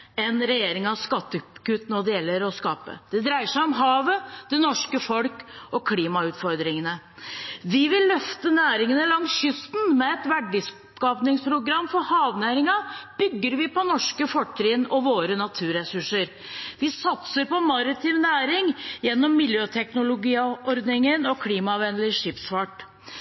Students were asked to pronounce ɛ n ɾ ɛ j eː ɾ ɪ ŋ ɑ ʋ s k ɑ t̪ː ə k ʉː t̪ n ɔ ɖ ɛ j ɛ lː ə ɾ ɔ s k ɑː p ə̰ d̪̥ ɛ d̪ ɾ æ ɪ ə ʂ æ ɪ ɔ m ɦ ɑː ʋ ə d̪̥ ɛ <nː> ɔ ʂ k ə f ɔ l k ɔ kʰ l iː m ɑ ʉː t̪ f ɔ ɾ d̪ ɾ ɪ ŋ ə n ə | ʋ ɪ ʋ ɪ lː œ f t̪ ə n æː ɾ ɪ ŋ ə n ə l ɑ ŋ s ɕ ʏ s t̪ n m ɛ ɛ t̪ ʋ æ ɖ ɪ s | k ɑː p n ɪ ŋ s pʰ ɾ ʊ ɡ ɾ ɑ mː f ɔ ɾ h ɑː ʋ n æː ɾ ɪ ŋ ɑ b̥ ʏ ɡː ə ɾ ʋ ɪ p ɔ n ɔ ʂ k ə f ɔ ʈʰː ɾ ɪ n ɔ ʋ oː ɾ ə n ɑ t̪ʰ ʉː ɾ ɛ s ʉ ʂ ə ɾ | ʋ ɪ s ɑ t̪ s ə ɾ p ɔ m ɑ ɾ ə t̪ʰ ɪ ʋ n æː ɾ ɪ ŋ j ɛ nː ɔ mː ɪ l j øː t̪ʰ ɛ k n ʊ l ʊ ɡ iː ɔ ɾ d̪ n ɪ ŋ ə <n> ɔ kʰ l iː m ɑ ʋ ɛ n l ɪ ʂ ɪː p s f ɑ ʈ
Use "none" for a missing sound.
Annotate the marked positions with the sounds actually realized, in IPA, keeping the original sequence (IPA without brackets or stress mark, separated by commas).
n, n